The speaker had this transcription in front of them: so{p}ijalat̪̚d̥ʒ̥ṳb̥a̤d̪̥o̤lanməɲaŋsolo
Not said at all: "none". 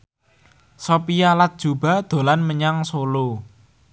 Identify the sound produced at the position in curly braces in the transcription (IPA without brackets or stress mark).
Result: p